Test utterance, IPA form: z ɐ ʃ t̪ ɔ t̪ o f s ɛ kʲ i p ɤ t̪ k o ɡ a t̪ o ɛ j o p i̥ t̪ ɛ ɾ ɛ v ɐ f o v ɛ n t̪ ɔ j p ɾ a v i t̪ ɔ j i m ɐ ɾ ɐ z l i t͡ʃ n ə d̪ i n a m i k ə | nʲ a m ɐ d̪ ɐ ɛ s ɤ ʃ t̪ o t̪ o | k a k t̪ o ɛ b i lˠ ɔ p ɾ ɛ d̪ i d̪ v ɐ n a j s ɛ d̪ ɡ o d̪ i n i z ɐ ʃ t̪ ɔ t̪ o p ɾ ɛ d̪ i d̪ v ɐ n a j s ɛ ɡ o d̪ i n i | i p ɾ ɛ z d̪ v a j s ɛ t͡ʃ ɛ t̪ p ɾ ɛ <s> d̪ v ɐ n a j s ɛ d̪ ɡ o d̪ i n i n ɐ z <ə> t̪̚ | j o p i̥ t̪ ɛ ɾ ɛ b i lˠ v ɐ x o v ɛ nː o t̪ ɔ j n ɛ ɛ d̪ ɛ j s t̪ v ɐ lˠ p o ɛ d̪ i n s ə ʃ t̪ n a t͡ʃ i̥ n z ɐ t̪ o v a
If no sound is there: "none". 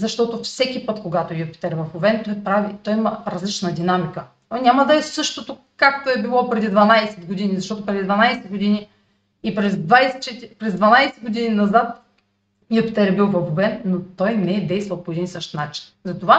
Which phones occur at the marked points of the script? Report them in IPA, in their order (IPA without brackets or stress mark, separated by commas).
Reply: z, a